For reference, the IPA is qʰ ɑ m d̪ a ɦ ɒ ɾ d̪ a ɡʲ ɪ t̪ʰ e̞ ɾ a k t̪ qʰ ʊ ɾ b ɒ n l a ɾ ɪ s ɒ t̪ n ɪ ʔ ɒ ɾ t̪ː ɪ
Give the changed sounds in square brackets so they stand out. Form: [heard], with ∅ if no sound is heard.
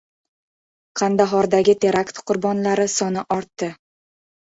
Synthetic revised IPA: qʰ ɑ [n] d̪ a ɦ ɒ ɾ d̪ a ɡʲ ɪ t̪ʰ e̞ ɾ a k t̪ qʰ ʊ ɾ b ɒ n l a ɾ ɪ s ɒ [∅] n ɪ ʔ ɒ ɾ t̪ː ɪ